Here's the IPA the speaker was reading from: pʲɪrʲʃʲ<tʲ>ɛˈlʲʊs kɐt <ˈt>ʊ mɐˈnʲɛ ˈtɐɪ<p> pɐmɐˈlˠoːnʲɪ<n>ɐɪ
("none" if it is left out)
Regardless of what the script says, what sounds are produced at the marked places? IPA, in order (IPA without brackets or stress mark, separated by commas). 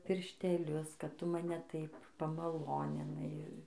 tʲ, t, p, n